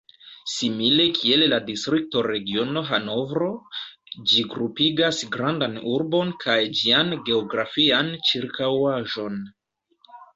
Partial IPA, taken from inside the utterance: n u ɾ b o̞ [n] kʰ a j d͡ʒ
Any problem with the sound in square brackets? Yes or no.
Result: no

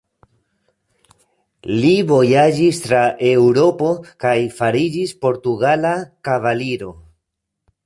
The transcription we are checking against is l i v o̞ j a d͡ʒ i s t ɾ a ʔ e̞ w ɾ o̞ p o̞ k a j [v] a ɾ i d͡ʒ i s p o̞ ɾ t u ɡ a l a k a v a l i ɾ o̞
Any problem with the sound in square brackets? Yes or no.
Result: yes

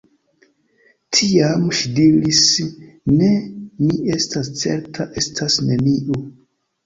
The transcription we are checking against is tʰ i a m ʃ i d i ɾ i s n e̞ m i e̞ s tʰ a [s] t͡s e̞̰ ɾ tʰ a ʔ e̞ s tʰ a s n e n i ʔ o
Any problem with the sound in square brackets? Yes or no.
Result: no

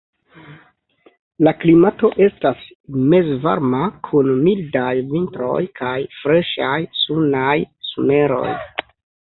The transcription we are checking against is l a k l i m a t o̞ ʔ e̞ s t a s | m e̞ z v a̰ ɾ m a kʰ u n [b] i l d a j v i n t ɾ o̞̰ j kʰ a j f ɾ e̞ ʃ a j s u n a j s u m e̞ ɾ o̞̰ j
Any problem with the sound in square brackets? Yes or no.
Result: yes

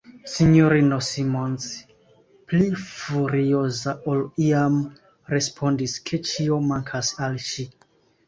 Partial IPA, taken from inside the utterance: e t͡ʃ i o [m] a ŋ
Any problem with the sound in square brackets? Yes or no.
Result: no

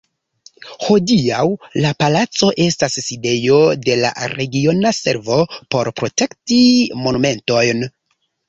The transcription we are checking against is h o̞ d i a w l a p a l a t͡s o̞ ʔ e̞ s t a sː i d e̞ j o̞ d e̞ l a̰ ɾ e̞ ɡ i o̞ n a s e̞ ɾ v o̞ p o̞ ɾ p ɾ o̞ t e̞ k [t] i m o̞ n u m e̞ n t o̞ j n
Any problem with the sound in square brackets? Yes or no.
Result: no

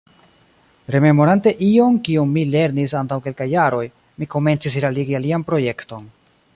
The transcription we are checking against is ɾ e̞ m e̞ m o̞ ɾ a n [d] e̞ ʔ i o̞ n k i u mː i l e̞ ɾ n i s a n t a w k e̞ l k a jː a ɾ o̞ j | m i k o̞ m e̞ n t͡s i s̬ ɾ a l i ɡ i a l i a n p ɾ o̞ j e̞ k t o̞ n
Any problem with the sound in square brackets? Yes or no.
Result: yes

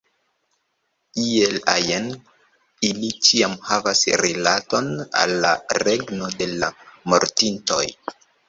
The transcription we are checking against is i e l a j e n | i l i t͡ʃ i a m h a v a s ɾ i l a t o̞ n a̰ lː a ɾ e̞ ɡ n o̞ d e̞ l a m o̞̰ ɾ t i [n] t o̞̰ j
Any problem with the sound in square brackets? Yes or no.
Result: no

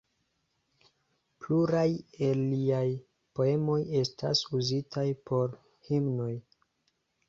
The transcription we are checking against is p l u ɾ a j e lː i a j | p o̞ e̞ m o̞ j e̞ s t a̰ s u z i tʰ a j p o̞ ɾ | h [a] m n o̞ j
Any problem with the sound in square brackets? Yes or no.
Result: yes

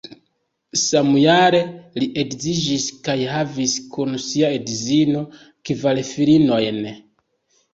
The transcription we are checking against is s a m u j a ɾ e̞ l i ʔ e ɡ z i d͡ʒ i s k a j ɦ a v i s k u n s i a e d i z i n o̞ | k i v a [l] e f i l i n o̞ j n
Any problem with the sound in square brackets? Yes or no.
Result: no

